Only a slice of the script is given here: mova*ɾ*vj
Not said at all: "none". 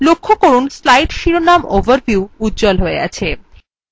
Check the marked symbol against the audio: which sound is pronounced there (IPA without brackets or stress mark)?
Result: ɾ